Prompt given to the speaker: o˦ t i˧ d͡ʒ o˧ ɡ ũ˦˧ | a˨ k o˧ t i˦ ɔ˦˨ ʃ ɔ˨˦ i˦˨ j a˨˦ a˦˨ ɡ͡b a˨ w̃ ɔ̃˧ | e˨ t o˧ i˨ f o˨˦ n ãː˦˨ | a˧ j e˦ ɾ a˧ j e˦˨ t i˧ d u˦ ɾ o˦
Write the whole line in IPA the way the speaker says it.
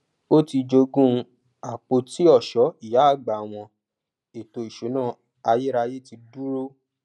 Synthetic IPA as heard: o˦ t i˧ d͡ʒ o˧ ɡ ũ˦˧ | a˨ k͡p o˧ t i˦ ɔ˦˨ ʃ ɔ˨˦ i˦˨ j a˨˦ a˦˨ ɡ͡b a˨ w̃ ɔ̃˧ | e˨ t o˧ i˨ ʃ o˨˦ n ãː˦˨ | a˧ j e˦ ɾ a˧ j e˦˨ t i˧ d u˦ ɾ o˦